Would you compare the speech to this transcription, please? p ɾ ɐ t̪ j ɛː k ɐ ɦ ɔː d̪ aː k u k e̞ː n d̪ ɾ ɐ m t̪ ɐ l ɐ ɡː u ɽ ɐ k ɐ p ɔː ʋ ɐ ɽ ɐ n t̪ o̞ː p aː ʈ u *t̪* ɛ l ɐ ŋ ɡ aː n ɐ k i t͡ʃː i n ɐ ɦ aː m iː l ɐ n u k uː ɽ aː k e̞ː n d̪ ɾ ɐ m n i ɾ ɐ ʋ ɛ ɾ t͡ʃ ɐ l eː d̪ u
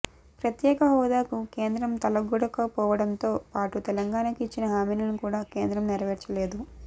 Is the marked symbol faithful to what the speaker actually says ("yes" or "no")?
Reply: yes